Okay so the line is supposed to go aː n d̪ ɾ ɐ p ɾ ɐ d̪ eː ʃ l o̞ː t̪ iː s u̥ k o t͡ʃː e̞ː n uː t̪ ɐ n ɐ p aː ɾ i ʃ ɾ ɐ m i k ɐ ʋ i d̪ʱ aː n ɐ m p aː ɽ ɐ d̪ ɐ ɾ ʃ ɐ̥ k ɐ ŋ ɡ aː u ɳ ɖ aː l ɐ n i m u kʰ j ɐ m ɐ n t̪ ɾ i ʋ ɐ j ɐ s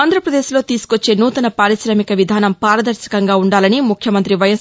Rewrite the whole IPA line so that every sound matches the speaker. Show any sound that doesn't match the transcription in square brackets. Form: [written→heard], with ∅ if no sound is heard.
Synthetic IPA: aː n d̪ ɾ ɐ p ɾ ɐ d̪ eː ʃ l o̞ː t̪ iː s u̥ k o t͡ʃː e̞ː n uː t̪ ɐ n ɐ p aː ɾ i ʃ ɾ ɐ m i k ɐ ʋ i d̪ʱ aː n ɐ m p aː [ɽ→ɾ] ɐ d̪ ɐ ɾ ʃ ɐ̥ k ɐ ŋ ɡ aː u ɳ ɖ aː l ɐ n i m u kʰ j ɐ m ɐ n t̪ ɾ i ʋ ɐ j ɐ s

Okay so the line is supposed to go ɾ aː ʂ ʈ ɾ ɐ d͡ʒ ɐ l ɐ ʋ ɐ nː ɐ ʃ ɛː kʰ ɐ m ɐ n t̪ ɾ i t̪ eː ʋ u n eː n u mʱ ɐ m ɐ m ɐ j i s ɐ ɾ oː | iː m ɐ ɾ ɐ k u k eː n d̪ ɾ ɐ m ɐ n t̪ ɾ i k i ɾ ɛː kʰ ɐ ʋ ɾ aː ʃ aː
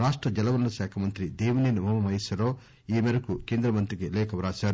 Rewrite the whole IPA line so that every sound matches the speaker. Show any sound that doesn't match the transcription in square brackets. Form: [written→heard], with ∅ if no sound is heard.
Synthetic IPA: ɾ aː ʂ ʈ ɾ ɐ d͡ʒ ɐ l ɐ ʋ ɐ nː ɐ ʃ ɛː kʰ ɐ m ɐ n t̪ ɾ i [t̪→d̪] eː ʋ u n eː n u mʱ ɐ m ɐ m ɐ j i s ɐ ɾ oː | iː m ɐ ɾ ɐ k u k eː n d̪ ɾ ɐ m ɐ n t̪ ɾ i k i [ɾ→l] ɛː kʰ ɐ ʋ ɾ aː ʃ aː

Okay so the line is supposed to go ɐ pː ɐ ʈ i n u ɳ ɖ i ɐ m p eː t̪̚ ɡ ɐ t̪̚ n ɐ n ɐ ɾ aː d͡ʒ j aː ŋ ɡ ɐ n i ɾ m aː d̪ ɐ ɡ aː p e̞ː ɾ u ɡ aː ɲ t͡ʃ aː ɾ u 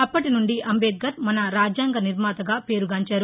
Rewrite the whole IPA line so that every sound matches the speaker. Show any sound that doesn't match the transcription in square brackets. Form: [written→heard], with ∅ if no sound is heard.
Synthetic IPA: ɐ pː ɐ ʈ i n u ɳ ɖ i ɐ m [p→b] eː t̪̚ ɡ ɐ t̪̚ [n→m] ɐ n ɐ ɾ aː d͡ʒ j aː ŋ ɡ ɐ n i ɾ m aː [d̪→t̪] ɐ ɡ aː p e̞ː ɾ u ɡ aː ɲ t͡ʃ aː ɾ u

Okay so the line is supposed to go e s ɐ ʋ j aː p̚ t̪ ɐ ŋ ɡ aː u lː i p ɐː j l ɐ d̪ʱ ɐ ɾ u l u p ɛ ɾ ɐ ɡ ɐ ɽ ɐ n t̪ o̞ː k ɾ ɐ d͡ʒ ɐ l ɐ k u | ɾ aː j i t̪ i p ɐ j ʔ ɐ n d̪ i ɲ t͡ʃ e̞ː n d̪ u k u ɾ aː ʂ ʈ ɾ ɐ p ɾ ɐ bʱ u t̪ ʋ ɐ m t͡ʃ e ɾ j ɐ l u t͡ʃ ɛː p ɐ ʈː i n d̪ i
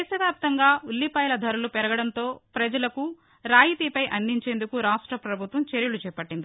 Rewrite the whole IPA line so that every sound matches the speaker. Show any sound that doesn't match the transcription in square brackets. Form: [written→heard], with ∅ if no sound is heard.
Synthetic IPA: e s ɐ ʋ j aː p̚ t̪ ɐ ŋ ɡ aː u lː i p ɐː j l ɐ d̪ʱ ɐ ɾ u l u p ɛ ɾ ɐ ɡ ɐ ɽ ɐ n t̪ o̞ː [k→p] ɾ ɐ d͡ʒ ɐ l ɐ k u | ɾ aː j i t̪ i p ɐ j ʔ ɐ n d̪ i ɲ t͡ʃ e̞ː n d̪ u k u ɾ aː ʂ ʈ ɾ ɐ p ɾ ɐ bʱ u t̪ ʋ ɐ m t͡ʃ e ɾ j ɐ l u t͡ʃ ɛː p ɐ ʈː i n d̪ i

